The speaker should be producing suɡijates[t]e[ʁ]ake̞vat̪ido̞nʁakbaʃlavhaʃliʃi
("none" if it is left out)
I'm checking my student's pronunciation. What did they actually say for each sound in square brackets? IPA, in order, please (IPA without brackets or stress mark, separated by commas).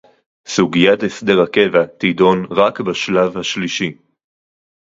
d, ʁ